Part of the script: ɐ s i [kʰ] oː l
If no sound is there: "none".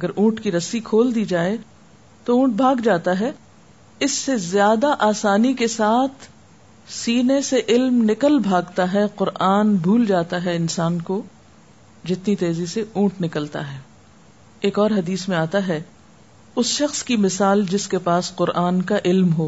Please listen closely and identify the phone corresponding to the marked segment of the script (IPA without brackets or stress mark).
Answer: kʰ